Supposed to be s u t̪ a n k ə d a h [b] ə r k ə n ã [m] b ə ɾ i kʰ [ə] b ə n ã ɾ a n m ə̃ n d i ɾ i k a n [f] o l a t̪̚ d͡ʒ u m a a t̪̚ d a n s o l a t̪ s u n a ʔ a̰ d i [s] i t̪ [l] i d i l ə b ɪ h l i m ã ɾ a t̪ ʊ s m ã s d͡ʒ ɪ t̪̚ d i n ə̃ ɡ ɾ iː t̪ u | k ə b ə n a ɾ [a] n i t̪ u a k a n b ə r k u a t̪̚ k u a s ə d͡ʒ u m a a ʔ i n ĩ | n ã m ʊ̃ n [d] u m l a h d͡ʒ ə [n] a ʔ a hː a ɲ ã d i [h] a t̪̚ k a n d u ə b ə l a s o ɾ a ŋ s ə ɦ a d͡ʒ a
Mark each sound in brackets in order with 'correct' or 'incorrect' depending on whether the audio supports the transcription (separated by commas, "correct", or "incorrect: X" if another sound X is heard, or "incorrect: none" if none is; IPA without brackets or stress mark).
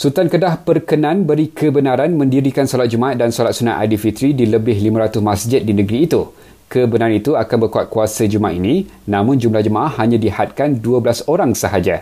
incorrect: p, incorrect: n, correct, incorrect: s, incorrect: f, incorrect: ɾ, correct, incorrect: d͡ʒ, incorrect: m, correct